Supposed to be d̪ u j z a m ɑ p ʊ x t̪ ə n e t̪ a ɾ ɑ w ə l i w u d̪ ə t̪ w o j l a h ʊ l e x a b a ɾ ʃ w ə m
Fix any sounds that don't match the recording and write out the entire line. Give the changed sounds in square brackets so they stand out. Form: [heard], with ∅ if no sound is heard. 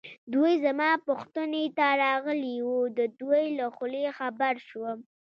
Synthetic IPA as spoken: d̪ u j z a m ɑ p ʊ x t̪ ə n e t̪ a ɾ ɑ [ɣ] ə l i w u d̪ ə [d̪] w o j l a [x] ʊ l e x a b a ɾ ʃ w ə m